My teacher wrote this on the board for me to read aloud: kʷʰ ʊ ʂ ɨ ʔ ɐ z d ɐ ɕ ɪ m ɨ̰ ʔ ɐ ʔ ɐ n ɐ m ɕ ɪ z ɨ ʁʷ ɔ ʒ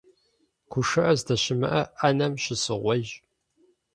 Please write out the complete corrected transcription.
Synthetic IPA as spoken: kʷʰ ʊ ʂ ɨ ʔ ɐ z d ɐ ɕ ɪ m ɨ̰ ʔ ɐ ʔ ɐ n ɐ m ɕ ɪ s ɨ ʁʷ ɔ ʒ